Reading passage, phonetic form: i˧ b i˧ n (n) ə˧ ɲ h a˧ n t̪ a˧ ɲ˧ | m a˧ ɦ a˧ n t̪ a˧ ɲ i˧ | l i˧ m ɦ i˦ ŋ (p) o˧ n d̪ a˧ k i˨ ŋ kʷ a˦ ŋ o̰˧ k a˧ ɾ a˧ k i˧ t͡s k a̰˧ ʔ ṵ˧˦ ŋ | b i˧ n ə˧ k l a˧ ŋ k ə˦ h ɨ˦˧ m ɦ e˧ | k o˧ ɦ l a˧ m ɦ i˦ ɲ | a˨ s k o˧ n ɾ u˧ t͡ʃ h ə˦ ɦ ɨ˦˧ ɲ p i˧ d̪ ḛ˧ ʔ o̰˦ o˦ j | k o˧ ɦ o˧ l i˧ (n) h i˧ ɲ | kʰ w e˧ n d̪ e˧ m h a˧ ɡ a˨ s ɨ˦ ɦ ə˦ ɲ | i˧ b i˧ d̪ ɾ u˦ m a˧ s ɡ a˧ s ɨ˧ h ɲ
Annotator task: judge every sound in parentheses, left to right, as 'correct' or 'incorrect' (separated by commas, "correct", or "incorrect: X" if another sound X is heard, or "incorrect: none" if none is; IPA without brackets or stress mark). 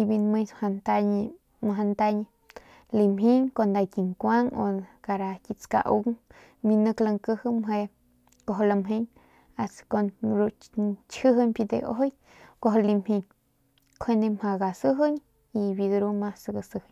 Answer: incorrect: m, incorrect: k, incorrect: m